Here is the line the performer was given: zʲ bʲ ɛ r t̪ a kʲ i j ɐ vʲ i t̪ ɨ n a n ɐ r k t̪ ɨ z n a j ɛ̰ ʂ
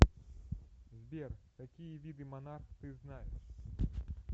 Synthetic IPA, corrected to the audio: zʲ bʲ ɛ r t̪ a kʲ i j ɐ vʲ i d̪ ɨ m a n a r x t̪ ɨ z n a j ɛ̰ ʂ